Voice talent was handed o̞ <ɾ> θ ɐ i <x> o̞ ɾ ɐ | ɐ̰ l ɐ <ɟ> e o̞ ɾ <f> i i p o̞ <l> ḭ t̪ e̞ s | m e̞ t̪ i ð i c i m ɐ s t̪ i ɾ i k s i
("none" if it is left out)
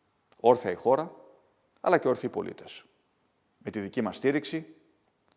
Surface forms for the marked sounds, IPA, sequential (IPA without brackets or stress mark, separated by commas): ɾ, x, c, θ, l